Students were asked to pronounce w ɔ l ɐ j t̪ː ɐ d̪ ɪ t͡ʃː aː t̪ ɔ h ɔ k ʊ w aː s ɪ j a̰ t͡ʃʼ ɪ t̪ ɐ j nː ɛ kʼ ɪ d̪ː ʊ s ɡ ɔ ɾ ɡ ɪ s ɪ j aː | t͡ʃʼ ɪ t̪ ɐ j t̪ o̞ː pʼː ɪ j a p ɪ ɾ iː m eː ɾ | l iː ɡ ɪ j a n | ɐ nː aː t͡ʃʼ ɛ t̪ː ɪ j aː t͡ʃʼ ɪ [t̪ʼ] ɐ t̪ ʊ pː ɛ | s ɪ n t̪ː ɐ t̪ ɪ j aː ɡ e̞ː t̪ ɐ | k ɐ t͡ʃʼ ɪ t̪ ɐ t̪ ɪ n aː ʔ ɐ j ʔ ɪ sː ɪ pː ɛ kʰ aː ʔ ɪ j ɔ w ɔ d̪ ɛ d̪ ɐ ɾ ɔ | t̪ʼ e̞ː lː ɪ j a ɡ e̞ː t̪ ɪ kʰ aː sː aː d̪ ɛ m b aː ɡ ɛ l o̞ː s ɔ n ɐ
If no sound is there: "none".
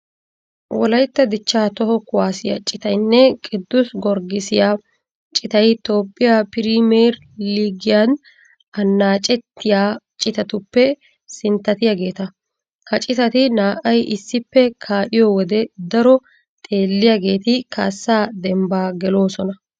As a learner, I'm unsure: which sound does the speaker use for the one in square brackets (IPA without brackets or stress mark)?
t̪